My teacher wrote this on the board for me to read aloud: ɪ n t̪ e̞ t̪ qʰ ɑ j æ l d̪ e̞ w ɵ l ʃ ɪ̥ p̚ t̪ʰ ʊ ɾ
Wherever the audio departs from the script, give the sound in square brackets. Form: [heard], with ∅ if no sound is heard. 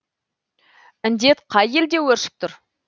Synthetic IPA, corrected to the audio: ɪ n [d̪] e̞ t̪ qʰ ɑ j [e] l d̪ e̞ w ɵ [ɾ] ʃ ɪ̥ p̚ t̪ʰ ʊ ɾ